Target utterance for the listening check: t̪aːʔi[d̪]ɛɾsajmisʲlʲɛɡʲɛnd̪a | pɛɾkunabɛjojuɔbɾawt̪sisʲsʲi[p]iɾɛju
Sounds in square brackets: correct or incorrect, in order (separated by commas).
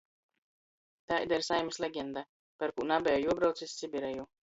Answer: correct, incorrect